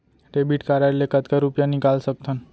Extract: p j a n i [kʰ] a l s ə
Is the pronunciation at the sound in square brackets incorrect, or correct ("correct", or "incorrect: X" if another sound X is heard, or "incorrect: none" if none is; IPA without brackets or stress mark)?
incorrect: k